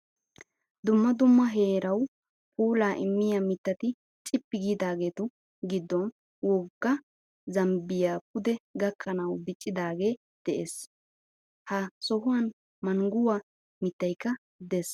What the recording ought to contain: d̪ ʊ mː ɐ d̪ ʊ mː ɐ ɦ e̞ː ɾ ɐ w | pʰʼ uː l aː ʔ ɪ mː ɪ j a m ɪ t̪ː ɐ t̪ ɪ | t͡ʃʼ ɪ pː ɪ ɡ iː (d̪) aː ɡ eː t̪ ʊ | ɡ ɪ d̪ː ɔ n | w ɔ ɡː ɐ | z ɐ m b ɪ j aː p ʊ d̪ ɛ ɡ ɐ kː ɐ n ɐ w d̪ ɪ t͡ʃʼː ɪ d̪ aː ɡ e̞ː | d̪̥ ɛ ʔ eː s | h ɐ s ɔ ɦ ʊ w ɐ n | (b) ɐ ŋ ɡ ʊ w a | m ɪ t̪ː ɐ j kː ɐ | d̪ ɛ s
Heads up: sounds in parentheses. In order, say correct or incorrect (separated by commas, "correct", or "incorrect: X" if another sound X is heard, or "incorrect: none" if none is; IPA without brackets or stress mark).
correct, incorrect: m